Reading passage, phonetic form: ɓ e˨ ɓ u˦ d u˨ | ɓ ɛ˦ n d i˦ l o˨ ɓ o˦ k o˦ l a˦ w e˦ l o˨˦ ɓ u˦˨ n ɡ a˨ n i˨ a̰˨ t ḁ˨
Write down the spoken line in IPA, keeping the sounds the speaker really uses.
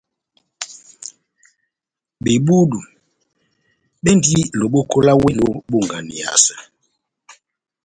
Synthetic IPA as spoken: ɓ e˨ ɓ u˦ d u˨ | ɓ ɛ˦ n d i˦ l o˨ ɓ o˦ k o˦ l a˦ w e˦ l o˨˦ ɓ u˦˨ ŋ ɡ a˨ n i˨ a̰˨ s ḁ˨